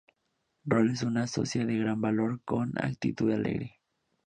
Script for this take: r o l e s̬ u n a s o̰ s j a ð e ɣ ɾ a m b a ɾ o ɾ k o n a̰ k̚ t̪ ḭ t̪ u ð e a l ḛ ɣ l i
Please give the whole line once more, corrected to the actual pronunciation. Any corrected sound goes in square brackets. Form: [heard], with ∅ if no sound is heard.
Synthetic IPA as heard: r o l e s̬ u n a s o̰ s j a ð e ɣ ɾ a m b a [l] o ɾ k o n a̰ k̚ t̪ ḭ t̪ u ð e a l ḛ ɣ [ɾ] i